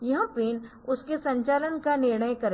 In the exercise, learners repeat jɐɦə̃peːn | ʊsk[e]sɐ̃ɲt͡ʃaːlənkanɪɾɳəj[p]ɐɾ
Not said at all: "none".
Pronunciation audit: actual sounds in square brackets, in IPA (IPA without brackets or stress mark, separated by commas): e, k